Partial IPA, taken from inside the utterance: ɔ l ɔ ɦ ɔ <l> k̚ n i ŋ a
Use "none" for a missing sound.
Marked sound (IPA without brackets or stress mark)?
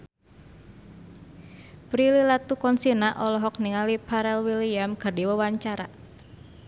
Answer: none